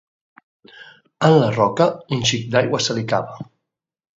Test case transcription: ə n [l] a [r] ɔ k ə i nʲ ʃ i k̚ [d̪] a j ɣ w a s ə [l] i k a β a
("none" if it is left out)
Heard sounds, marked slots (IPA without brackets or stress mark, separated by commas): l, r, d̪, l